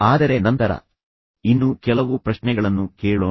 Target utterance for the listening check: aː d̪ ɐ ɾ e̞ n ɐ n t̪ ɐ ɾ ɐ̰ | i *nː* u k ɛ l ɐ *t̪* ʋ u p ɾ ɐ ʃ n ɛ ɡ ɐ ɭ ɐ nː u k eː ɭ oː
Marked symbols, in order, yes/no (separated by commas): yes, no